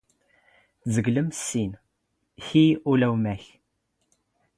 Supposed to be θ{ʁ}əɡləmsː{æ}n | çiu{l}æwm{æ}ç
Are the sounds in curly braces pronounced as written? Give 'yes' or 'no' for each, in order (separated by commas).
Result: no, no, yes, yes